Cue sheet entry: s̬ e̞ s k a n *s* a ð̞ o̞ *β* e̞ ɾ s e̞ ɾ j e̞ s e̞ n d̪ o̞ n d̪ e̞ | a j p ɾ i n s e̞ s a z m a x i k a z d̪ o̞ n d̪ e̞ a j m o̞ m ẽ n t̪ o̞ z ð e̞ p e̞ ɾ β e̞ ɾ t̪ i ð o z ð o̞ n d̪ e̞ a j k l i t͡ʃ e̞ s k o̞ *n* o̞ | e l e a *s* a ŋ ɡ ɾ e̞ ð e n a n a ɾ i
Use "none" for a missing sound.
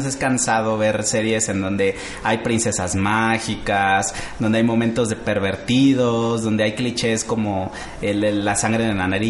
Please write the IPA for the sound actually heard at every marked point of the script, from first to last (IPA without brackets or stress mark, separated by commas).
s, β, m, s